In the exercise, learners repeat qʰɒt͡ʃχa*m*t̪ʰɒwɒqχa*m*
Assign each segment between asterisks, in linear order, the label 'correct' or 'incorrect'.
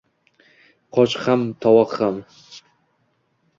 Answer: correct, correct

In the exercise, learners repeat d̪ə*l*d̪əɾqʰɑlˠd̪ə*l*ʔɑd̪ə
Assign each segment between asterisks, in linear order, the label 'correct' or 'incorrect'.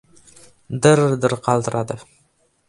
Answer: incorrect, incorrect

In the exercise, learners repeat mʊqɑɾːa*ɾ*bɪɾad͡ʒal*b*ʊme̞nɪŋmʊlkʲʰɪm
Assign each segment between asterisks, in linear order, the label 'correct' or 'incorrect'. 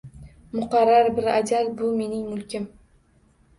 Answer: correct, correct

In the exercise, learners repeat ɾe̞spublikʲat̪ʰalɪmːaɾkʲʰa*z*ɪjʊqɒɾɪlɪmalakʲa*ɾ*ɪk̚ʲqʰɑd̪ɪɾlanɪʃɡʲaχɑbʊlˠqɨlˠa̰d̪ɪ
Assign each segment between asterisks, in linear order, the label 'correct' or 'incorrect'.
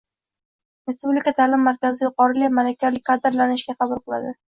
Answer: correct, incorrect

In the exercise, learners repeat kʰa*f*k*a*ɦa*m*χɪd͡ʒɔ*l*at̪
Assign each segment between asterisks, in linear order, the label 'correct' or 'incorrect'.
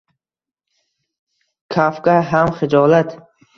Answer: correct, correct, correct, correct

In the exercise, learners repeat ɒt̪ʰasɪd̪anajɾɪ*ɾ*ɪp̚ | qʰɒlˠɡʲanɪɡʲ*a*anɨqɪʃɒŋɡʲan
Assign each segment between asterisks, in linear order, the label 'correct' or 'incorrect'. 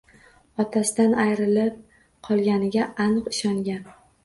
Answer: incorrect, correct

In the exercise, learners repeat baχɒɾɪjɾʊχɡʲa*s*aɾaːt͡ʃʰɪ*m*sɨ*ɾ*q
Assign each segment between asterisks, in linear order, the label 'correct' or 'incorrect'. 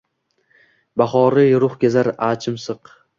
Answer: incorrect, correct, incorrect

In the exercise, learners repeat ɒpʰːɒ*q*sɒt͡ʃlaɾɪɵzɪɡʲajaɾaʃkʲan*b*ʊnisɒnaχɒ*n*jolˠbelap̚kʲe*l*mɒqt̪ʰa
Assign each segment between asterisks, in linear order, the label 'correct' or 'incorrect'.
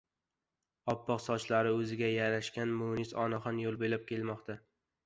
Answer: correct, incorrect, correct, correct

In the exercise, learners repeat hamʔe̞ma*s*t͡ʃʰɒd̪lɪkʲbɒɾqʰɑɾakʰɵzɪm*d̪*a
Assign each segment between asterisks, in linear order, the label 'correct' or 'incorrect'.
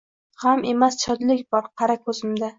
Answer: correct, correct

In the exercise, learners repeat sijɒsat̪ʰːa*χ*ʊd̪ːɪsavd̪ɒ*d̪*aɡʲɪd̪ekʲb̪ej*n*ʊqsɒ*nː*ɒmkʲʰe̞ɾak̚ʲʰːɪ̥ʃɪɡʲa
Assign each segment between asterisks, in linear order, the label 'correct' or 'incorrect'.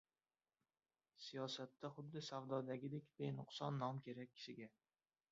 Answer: correct, correct, correct, correct

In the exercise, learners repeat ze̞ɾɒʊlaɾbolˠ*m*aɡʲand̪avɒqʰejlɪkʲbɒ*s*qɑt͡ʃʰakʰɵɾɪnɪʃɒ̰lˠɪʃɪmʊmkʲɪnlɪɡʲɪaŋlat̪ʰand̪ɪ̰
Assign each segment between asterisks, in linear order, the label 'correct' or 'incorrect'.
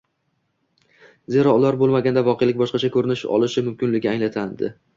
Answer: correct, incorrect

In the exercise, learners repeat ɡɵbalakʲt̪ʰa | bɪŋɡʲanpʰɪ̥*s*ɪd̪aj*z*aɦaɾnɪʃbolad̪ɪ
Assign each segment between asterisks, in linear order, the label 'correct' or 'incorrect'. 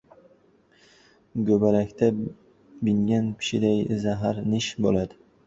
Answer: incorrect, correct

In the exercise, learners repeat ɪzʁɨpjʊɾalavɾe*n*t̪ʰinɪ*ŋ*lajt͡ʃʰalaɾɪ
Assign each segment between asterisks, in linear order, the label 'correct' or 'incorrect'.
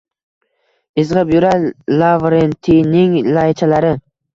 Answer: correct, correct

